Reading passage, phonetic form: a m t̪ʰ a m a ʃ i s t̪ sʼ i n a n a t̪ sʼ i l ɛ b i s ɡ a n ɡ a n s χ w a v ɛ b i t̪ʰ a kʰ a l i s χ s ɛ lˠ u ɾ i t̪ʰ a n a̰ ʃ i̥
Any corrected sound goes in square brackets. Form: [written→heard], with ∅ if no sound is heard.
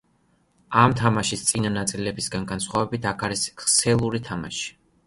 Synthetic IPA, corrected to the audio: a m t̪ʰ a m a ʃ i s t̪ sʼ i n a n a t̪ sʼ i l ɛ b i s ɡ a n ɡ a n s χ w a v ɛ b i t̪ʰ a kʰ a [l→ɾ] i s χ s ɛ lˠ u ɾ i t̪ʰ a [n→m] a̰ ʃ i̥

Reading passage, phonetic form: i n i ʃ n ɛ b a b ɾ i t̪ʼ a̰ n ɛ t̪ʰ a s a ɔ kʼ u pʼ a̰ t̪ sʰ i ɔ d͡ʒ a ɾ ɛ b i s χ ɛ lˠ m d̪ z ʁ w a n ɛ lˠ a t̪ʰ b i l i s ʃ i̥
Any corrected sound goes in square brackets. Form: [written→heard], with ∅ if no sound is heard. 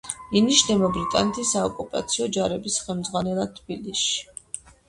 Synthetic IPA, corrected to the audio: i n i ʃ n ɛ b a b ɾ i t̪ʼ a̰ n ɛ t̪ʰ [a→i] s a ɔ kʼ u pʼ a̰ t̪ sʰ i ɔ d͡ʒ a ɾ ɛ b i s χ ɛ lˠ m d̪ z ʁ w a n ɛ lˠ a t̪ʰ b i l i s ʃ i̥

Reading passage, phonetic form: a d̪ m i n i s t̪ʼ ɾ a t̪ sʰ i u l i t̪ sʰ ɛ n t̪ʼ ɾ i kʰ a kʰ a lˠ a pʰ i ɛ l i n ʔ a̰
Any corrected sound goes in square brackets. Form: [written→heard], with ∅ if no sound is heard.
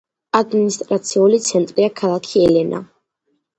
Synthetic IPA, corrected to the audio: a d̪ m i n i s t̪ʼ ɾ a t̪ sʰ i u l i t̪ sʰ ɛ n t̪ʼ ɾ i [kʰ→∅] a kʰ a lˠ a [pʰ→kʰ] i ɛ l [i→ɛ] n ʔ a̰

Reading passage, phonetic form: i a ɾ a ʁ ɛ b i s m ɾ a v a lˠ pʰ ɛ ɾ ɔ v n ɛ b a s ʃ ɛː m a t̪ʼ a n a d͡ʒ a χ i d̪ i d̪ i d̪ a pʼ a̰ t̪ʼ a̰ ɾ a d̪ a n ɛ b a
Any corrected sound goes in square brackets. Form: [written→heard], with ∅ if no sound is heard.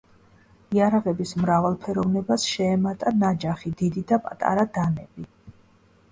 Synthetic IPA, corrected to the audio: i a ɾ a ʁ ɛ b i s m ɾ a v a lˠ pʰ ɛ ɾ ɔ v n ɛ b a s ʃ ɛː m a t̪ʼ a n a d͡ʒ a χ i d̪ i d̪ i d̪ a pʼ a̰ t̪ʼ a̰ ɾ a d̪ a n ɛ b [a→i]

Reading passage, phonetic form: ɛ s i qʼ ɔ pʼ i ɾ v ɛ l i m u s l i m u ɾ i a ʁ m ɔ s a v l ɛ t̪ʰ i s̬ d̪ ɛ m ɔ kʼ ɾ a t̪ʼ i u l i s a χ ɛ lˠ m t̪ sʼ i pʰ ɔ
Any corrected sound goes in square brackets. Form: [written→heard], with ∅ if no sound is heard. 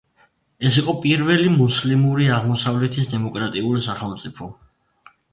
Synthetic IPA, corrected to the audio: ɛ s i qʼ ɔ pʼ i ɾ v ɛ l i m u s l i m u ɾ i a ʁ m ɔ s a v l ɛ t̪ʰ i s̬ d̪ ɛ m ɔ kʼ ɾ a t̪ʼ i u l i s a χ ɛ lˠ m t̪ sʼ i pʰ ɔ

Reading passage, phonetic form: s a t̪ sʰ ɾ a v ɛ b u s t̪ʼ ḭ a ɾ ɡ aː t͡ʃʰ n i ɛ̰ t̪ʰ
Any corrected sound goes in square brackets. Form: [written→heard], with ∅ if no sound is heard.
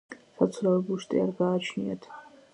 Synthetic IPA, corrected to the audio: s a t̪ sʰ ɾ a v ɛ b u [s→ʃ] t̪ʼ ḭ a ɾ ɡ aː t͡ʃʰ n i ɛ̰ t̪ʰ

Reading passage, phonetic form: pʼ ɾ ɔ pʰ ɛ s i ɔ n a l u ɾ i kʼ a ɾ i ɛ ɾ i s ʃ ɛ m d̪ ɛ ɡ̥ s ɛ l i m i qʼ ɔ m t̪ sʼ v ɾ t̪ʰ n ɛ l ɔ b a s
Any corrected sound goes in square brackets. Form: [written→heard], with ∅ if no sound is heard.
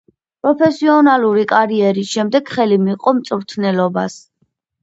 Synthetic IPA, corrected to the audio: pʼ ɾ ɔ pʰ ɛ s i ɔ n a l u ɾ i kʼ a ɾ i ɛ ɾ i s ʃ ɛ m d̪ ɛ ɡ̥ [s→χ] ɛ l i m i qʼ ɔ m t̪ sʼ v ɾ t̪ʰ n ɛ l ɔ b a s

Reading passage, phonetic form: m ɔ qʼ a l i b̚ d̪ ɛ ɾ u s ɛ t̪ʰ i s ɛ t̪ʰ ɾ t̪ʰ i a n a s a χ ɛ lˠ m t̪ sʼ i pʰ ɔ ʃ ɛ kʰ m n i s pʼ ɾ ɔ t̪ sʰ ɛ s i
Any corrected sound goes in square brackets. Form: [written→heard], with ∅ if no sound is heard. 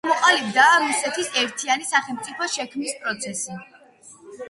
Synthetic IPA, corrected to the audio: m ɔ qʼ a l i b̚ d̪ [ɛ→a] ɾ u s ɛ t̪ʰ i s ɛ [t̪ʰ→∅] ɾ t̪ʰ i a n [a→i] s a χ ɛ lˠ m t̪ sʼ i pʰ ɔ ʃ ɛ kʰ m n i s pʼ ɾ ɔ t̪ sʰ ɛ s i

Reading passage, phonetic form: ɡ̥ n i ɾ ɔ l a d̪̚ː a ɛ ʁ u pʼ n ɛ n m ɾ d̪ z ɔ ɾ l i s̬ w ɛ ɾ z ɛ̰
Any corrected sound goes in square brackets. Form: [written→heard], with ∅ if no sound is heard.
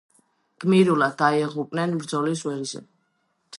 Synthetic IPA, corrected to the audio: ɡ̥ [n→m] i ɾ [ɔ→u] l a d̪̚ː a ɛ ʁ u pʼ n ɛ n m ɾ d̪ z ɔ [ɾ→∅] l i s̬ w ɛ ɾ z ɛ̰

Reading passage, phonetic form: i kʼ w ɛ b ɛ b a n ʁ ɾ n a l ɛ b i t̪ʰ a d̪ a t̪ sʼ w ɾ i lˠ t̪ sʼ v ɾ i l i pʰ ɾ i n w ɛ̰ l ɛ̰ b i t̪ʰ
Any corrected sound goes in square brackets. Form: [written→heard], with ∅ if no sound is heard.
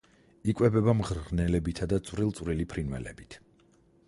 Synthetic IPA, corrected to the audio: i kʼ w ɛ b ɛ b a [n→m] ʁ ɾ n [a→ɛ] l ɛ b i t̪ʰ a d̪ a t̪ sʼ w ɾ i lˠ t̪ sʼ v ɾ i l i pʰ ɾ i n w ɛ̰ l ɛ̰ b i t̪ʰ

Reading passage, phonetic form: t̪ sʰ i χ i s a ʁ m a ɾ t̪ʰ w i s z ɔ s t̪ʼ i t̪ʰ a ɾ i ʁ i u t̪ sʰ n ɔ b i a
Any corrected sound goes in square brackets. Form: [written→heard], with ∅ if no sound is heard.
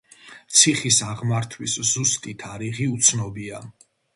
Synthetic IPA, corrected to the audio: t̪ sʰ i χ i s a ʁ m a ɾ t̪ʰ w i s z [ɔ→u] s t̪ʼ i t̪ʰ a ɾ i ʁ i u t̪ sʰ n ɔ b i a

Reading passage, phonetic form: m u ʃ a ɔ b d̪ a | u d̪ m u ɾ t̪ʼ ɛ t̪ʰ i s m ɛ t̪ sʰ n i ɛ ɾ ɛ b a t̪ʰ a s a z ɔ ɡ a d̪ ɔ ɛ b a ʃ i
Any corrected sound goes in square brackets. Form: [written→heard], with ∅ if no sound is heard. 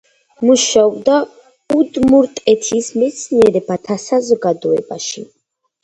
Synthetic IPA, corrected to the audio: m u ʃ a ɔ b d̪ a | u d̪ m u ɾ t̪ʼ ɛ t̪ʰ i s m ɛ t̪ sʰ n i ɛ ɾ ɛ b a t̪ʰ a s a z ɔ ɡ a d̪ ɔ ɛ b a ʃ i

